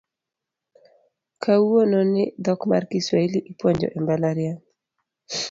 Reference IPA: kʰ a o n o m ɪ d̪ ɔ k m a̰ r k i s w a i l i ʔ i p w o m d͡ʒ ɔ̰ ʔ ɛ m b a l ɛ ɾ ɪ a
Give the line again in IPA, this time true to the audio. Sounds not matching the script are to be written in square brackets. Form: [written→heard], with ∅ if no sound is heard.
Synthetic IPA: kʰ a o n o [m→n] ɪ d̪ ɔ k m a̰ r k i s w a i l i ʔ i p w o [m→ɲ] d͡ʒ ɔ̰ ʔ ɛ m b a l [ɛ→a] ɾ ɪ a